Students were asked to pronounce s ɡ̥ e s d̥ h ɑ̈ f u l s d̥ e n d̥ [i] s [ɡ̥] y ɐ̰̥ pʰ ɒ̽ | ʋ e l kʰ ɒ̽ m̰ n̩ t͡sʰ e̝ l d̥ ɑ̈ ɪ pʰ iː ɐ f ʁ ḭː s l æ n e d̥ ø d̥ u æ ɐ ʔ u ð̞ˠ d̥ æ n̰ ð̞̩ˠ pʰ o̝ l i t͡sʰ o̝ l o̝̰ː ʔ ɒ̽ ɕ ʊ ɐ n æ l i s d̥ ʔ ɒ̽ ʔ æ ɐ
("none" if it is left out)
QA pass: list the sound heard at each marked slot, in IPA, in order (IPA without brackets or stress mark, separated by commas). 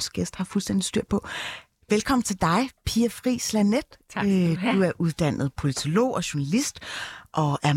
i, d̥